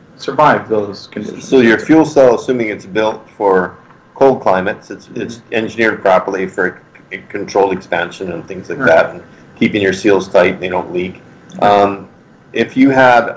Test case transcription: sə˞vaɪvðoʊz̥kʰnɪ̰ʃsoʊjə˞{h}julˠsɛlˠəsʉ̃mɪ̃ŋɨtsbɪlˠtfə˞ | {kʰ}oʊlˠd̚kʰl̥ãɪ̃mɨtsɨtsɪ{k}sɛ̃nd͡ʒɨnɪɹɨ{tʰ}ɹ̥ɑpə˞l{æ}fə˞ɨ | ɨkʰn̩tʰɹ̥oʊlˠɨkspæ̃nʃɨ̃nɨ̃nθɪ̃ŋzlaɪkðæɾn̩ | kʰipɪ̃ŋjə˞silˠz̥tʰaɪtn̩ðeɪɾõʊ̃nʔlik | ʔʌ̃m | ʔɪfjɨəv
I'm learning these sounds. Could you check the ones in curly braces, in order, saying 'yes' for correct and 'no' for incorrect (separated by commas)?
no, yes, no, no, no